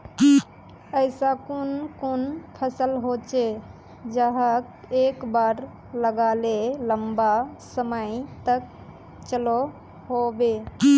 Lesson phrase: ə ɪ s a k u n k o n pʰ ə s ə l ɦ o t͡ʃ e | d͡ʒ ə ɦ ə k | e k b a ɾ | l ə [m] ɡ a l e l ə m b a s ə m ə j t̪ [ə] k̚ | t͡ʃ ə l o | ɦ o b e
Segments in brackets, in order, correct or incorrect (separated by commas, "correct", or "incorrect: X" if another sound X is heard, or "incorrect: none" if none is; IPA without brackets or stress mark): incorrect: none, correct